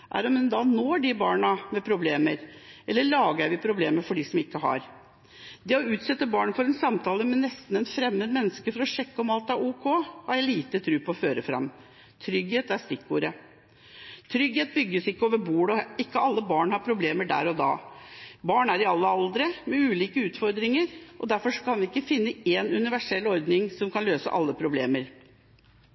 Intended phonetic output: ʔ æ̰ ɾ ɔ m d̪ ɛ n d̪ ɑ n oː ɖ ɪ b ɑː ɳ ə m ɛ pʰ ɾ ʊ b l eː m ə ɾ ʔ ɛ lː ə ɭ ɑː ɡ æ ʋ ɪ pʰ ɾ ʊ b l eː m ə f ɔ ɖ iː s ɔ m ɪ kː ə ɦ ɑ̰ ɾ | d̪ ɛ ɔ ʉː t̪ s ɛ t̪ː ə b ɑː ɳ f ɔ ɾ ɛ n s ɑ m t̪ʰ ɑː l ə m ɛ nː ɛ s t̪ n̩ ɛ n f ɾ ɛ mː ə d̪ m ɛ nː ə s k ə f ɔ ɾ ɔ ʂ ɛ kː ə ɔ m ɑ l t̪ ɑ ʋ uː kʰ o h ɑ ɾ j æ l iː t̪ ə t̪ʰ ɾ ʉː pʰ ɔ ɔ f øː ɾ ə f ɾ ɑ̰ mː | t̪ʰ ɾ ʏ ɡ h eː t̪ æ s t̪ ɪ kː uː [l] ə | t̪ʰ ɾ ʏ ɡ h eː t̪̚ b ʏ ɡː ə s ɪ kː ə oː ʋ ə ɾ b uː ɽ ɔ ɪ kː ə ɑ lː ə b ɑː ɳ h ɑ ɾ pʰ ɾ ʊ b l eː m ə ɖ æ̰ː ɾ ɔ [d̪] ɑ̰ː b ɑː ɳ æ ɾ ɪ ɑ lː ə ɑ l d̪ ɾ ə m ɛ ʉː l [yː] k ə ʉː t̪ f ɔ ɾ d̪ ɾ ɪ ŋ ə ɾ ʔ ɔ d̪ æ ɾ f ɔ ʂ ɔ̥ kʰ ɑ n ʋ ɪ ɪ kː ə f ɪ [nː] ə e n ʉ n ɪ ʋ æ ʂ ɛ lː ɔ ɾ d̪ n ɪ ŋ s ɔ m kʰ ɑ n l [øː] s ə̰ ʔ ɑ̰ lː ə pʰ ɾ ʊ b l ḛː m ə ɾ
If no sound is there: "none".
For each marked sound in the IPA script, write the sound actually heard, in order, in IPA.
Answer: ɾ, d̪, iː, nː, øː

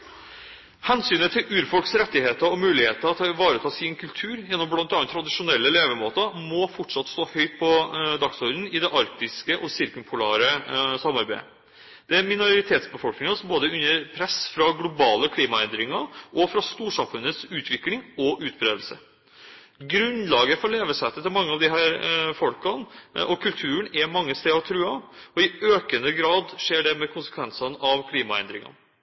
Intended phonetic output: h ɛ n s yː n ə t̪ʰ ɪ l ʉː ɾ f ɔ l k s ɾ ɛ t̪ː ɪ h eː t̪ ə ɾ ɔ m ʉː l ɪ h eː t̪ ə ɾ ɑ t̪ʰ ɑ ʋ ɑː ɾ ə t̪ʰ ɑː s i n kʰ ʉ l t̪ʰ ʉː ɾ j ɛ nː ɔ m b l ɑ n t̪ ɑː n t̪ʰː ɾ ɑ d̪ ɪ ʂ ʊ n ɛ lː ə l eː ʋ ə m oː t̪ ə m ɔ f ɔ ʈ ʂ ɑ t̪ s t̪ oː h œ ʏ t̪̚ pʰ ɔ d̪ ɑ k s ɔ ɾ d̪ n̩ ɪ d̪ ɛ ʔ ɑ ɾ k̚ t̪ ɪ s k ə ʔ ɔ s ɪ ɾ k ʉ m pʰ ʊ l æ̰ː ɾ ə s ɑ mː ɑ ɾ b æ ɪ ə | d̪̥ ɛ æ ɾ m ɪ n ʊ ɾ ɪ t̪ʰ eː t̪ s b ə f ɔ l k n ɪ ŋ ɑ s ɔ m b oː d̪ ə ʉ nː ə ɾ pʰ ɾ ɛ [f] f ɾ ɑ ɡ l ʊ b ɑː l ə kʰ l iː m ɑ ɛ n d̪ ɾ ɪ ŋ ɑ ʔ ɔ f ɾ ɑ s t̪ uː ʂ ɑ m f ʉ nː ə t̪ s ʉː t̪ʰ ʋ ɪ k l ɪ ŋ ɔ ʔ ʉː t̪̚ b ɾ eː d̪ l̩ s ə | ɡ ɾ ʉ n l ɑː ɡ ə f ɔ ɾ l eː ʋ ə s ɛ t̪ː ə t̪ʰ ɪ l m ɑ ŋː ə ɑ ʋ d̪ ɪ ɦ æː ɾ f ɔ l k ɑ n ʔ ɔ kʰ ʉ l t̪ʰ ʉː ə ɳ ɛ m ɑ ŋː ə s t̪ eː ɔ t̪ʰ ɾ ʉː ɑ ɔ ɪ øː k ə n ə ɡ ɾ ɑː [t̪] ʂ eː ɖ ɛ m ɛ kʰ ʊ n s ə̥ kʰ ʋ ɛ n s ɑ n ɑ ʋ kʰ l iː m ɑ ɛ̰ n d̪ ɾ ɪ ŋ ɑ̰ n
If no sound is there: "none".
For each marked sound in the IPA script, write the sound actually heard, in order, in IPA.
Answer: s, d̪

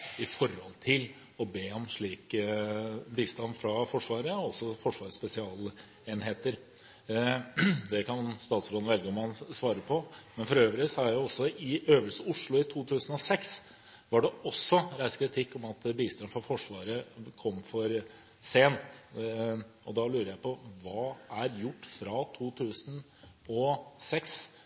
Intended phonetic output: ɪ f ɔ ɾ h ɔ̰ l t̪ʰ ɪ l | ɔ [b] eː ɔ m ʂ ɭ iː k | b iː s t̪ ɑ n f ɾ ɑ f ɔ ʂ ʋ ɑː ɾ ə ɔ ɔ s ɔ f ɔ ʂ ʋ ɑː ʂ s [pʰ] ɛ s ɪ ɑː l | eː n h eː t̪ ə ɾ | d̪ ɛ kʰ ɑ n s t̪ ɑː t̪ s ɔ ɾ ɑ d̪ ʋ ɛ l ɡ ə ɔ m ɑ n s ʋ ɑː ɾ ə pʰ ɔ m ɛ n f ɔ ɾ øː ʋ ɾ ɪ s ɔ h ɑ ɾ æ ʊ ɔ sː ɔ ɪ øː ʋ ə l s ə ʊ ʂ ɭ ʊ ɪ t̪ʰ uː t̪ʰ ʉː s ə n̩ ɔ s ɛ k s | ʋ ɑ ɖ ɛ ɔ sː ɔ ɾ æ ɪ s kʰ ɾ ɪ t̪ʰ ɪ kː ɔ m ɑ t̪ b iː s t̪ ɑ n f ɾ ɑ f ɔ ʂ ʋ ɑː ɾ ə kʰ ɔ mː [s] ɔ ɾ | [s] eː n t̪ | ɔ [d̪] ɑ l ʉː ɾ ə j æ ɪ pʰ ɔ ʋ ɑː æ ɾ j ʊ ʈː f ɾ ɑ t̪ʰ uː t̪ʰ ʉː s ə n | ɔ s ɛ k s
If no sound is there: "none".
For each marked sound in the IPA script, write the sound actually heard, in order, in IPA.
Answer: b, p, f, s, d̪

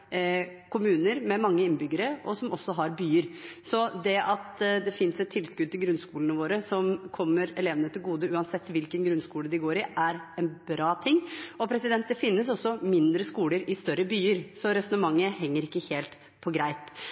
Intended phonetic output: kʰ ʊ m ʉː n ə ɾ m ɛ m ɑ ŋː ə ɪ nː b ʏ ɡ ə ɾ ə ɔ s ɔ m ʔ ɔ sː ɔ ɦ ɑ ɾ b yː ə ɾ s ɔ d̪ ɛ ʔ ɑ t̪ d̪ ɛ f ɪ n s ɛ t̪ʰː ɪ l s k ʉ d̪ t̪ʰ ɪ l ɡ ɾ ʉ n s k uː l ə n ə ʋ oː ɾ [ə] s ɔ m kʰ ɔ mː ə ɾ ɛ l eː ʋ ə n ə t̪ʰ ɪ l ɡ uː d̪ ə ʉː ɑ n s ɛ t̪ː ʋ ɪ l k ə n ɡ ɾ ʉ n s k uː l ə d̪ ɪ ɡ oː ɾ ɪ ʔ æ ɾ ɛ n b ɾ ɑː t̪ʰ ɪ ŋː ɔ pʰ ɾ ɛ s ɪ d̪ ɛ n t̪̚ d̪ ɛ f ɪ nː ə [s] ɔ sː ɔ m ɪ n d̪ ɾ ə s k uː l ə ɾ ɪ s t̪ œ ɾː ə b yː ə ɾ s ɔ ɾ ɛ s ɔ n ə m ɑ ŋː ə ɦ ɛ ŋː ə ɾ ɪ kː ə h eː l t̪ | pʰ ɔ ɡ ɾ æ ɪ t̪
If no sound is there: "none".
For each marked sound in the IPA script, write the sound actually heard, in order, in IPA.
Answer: ə, s

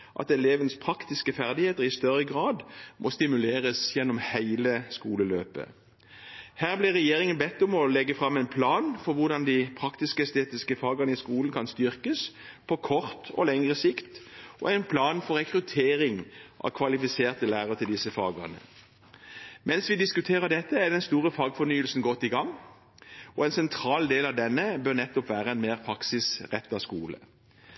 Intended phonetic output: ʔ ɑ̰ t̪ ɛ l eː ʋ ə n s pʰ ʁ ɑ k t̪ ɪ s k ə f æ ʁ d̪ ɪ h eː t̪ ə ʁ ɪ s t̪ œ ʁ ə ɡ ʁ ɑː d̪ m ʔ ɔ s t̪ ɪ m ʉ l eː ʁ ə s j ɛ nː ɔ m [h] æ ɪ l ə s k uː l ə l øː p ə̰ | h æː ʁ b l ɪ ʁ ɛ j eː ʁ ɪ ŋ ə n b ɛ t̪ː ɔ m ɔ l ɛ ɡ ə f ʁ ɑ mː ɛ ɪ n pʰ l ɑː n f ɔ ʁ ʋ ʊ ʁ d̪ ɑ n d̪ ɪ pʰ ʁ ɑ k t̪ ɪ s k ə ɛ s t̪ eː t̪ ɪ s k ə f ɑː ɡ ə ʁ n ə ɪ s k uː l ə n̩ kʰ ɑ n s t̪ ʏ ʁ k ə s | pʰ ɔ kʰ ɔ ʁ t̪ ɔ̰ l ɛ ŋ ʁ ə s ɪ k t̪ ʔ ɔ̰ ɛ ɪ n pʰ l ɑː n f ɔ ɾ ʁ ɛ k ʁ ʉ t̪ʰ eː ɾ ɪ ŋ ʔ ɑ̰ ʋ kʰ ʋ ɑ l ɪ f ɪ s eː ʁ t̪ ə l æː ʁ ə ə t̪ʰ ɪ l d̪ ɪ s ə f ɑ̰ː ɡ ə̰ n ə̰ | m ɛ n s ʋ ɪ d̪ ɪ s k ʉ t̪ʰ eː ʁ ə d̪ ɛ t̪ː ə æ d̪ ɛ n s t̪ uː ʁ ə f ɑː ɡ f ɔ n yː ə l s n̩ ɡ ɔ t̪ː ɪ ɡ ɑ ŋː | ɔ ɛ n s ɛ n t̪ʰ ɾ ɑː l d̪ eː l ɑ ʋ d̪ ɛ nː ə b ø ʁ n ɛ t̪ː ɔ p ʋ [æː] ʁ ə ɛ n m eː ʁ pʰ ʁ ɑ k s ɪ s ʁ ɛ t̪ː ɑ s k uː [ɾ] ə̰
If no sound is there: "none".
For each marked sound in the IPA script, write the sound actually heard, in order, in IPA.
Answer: h, æː, l

